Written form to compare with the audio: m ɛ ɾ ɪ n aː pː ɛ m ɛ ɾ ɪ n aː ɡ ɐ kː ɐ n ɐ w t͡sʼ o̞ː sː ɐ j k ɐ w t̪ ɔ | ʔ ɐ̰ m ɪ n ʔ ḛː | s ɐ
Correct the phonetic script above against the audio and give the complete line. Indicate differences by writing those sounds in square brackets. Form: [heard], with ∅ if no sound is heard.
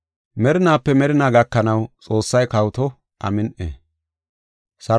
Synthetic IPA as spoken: m ɛ ɾ ɪ n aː pː ɛ m ɛ ɾ ɪ n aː ɡ ɐ kː ɐ n ɐ w t͡sʼ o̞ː sː ɐ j k ɐ w t̪ ɔ | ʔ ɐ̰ m ɪ n ʔ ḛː | s ɐ